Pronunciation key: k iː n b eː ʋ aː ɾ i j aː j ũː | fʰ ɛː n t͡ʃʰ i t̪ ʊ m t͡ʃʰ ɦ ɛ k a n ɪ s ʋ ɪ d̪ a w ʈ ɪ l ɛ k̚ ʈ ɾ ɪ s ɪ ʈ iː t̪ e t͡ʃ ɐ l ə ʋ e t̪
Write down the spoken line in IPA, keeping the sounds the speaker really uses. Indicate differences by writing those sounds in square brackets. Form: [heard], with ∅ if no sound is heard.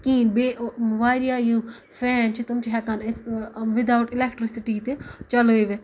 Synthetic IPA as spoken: k iː n b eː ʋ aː ɾ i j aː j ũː | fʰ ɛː n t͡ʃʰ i t̪ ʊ m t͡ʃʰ ɦ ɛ k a n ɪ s ʋ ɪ d̪ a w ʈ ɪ l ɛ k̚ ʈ ɾ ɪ s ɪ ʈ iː t̪ e t͡ʃ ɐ l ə ʋ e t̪